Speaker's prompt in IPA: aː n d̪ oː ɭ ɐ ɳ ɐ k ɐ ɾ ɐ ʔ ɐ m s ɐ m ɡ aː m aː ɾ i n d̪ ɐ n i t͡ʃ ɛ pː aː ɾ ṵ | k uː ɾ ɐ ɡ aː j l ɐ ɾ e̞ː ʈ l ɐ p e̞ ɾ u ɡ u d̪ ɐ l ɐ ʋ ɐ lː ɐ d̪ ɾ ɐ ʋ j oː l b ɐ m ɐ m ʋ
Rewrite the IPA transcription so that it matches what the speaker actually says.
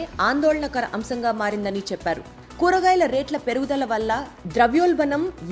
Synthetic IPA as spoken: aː n d̪ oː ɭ ɐ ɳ ɐ k ɐ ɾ ɐ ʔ ɐ m s ɐ ŋ ɡ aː m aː ɾ i n d̪ ɐ n i t͡ʃ ɛ pː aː ɾ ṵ | k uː ɾ ɐ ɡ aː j l ɐ ɾ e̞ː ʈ l ɐ p e̞ ɾ u ɡ u d̪ ɐ l ɐ ʋ ɐ lː ɐ d̪ ɾ ɐ ʋ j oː l b ɐ n ɐ m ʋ